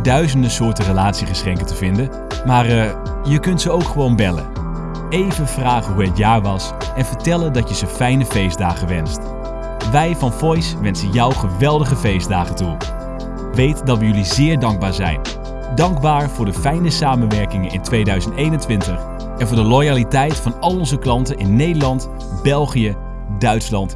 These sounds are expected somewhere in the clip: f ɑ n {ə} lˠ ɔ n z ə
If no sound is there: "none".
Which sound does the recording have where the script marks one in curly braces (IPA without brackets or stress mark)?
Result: ɑ